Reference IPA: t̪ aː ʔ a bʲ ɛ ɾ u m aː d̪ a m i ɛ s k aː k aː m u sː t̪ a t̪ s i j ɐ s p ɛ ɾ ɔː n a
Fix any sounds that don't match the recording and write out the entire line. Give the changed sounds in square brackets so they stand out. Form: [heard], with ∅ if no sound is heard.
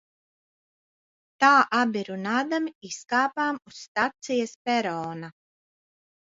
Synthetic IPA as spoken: t̪ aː ʔ a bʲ [i] ɾ u [n] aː d̪ a m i [i] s k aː [p] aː m u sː t̪ a t̪ s i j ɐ s p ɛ ɾ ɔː n a